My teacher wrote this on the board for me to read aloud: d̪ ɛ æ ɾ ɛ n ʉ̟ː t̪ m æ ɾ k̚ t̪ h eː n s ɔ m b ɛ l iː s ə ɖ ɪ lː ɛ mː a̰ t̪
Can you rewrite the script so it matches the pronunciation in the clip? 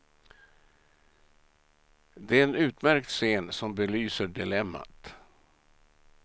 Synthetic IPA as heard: d̪ ɛ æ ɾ ɛ n ʉ̟ː t̪ m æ ɾ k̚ t̪ s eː n s ɔ m b ɛ l yː s ə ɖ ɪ l ɛ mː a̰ t̪